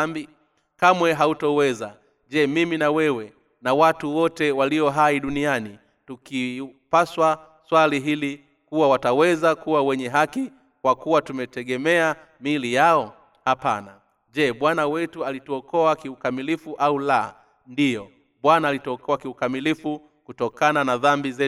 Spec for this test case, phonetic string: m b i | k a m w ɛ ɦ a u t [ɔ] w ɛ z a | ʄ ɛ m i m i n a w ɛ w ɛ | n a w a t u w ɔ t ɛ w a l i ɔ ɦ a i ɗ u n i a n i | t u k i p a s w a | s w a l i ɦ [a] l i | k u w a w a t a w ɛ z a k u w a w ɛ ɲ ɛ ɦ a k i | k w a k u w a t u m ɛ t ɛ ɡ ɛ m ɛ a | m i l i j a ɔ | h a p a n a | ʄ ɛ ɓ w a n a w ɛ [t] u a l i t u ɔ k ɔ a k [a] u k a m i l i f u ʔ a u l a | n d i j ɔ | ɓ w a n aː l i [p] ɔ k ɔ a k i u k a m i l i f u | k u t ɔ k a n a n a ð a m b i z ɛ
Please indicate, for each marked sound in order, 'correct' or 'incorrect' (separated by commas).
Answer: correct, incorrect, correct, incorrect, incorrect